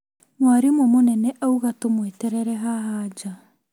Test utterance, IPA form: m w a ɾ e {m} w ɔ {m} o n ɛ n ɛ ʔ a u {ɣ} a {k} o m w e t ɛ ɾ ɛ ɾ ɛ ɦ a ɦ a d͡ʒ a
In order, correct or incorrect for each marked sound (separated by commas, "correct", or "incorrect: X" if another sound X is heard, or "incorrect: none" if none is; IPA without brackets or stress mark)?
correct, correct, correct, incorrect: t